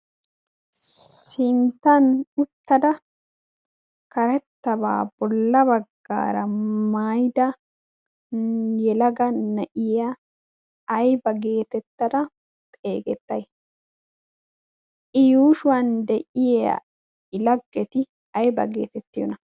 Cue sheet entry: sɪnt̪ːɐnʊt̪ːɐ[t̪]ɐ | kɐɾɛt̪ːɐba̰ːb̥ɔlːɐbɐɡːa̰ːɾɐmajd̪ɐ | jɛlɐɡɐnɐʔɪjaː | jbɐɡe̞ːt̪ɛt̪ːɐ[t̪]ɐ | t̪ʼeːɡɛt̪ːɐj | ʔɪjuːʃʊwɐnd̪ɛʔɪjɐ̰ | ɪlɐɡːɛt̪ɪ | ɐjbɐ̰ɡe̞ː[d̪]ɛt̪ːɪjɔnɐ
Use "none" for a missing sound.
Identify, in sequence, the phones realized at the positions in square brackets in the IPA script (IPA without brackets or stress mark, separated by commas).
d̪, d̪, t̪